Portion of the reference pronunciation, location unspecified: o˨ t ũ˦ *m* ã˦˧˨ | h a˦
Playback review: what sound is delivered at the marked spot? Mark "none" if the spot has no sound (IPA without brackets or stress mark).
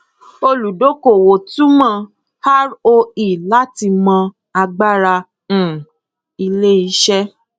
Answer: m